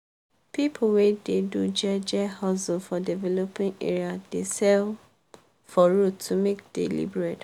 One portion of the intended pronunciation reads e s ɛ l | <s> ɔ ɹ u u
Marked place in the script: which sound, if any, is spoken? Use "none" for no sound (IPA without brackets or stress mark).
f